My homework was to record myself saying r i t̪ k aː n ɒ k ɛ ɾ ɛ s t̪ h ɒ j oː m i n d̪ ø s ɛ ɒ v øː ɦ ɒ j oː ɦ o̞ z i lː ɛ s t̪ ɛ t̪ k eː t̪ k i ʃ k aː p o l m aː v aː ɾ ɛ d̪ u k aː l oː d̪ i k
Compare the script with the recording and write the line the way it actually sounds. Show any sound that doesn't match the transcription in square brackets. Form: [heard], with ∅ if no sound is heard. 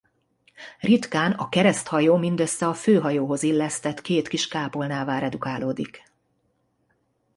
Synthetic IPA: r i t̪ k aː n ɒ k ɛ ɾ ɛ s t̪ h ɒ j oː m i n d̪ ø [sː] ɛ ɒ [f] øː ɦ ɒ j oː ɦ o̞ z i lː ɛ s t̪ ɛ t̪ k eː t̪ k i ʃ k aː p o l [n] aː v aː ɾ ɛ d̪ u k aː l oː d̪ i k